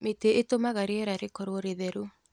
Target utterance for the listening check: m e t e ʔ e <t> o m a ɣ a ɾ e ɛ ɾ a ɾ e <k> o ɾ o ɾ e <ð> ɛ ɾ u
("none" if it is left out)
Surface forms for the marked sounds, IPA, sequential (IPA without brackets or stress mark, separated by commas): t, k, ð